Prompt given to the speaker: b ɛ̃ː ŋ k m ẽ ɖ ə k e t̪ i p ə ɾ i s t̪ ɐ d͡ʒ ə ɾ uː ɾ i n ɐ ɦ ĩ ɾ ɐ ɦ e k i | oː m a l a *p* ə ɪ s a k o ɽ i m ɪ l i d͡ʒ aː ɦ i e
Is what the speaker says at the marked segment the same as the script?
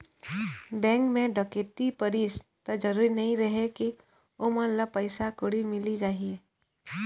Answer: yes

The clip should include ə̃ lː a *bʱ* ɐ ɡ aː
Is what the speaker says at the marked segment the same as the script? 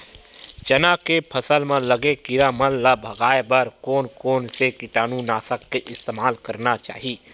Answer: yes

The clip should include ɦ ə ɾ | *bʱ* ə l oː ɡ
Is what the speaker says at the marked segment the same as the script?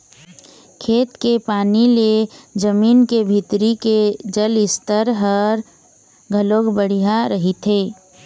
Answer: no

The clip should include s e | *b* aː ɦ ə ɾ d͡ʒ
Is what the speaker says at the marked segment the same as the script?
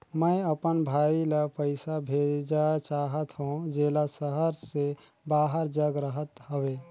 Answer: yes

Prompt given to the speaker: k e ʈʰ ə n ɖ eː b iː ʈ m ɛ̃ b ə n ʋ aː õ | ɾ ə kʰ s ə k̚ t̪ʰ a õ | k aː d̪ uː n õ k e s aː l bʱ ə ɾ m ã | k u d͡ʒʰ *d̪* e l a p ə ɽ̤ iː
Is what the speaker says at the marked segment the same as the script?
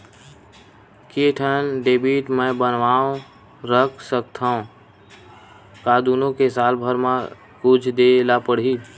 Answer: yes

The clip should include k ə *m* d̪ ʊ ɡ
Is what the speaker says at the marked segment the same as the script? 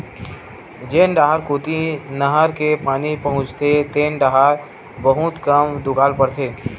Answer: yes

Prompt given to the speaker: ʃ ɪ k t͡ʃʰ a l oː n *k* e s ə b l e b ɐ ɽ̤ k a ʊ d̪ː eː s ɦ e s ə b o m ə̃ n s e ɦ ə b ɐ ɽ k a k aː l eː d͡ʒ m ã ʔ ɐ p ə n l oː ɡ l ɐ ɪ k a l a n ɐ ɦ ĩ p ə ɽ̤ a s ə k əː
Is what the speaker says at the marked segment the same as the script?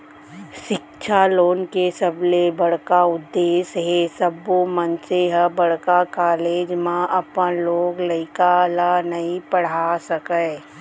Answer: yes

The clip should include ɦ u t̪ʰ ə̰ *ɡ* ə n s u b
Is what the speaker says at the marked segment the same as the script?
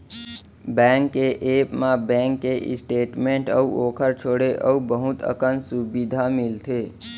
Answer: no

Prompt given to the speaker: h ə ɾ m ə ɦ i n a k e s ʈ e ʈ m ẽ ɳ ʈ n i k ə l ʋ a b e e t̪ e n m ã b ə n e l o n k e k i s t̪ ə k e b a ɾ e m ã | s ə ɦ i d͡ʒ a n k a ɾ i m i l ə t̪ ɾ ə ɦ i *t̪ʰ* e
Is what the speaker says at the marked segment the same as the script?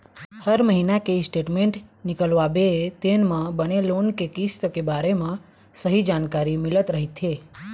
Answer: yes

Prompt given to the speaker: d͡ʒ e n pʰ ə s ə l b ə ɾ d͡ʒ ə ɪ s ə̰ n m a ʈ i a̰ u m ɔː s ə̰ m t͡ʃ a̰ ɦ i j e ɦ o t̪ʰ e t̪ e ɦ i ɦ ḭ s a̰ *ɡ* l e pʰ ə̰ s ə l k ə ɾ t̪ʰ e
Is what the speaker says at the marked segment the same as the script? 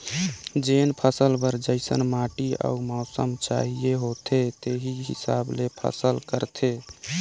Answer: no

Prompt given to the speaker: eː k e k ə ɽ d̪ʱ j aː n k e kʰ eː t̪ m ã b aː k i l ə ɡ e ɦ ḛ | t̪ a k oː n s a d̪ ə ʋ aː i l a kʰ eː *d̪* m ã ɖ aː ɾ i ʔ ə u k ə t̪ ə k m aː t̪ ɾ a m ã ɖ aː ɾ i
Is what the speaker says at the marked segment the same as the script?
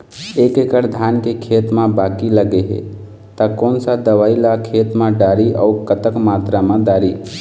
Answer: no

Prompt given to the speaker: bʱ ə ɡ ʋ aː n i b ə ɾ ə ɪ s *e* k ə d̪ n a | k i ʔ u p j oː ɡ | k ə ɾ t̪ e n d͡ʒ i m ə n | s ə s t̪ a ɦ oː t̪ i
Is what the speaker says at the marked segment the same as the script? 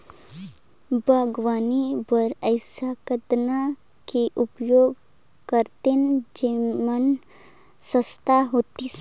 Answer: no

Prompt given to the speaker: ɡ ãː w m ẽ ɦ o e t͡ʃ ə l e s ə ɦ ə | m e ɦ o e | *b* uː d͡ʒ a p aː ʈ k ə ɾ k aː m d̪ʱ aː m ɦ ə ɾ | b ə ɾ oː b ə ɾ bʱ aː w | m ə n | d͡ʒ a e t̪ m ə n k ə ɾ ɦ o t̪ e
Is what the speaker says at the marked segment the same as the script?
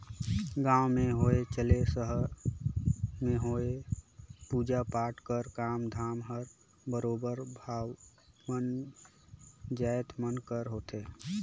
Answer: no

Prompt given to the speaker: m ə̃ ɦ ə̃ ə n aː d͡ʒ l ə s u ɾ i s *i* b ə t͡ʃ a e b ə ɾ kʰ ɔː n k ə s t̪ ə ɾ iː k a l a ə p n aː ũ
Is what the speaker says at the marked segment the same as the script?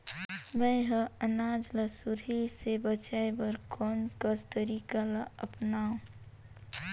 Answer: no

